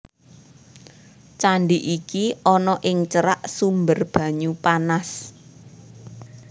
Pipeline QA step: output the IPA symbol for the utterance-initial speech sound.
t͡ʃ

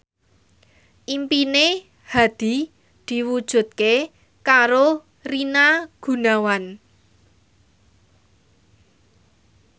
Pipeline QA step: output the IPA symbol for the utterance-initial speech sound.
ʔ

